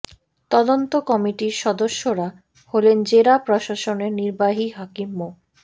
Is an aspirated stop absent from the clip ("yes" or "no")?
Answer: yes